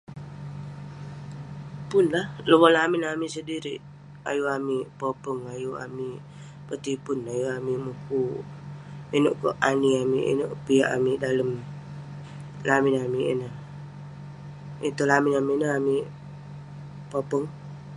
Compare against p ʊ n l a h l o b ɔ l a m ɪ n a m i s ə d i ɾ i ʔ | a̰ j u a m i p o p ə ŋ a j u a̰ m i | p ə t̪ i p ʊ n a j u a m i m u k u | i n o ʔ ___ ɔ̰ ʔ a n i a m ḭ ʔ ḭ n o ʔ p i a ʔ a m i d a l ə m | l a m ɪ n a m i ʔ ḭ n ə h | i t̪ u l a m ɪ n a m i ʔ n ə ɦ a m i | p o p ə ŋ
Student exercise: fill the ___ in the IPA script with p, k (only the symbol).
k